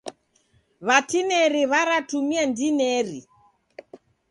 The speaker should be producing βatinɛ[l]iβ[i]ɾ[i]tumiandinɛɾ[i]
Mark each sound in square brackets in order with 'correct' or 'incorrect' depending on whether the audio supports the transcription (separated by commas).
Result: incorrect, incorrect, incorrect, correct